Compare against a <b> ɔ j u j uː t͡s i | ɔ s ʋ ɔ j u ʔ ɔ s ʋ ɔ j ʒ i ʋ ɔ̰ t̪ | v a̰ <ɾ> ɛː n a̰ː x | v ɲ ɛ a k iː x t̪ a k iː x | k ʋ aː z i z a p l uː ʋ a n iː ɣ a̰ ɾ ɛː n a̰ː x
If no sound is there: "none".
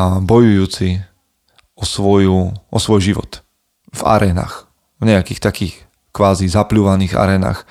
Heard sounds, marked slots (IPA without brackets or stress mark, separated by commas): b, ɾ